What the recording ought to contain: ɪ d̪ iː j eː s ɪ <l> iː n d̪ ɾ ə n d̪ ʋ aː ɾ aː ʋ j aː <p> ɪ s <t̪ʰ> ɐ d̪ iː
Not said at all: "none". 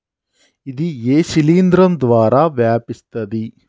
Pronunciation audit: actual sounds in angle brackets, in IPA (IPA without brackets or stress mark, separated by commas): l, p, t̪